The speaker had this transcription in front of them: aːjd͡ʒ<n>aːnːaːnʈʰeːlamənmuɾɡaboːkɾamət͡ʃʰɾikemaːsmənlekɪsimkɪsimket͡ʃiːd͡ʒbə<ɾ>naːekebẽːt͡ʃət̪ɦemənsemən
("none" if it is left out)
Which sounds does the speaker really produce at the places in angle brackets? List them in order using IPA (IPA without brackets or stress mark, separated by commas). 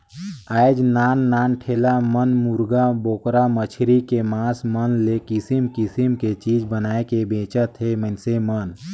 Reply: n, none